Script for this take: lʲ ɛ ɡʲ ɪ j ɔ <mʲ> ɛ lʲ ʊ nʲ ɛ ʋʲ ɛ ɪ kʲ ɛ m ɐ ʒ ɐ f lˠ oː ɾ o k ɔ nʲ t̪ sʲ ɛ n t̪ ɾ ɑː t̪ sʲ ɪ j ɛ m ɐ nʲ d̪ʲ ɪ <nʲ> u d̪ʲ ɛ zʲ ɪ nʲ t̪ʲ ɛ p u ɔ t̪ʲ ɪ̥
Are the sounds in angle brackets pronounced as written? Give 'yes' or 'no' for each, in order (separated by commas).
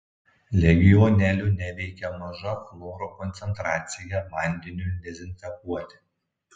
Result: no, yes